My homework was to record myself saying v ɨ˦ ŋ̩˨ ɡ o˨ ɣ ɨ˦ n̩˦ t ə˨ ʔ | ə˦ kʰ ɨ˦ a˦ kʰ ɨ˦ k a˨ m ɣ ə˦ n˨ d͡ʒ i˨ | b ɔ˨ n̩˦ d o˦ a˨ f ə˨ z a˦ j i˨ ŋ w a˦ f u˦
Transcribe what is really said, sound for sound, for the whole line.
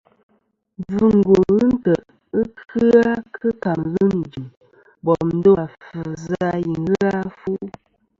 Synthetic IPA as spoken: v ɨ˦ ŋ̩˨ ɡ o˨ ɣ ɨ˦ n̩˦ t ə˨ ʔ | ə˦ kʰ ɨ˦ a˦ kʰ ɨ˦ k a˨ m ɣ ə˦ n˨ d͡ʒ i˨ | b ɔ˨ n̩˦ d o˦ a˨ f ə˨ z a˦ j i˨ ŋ ɣ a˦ f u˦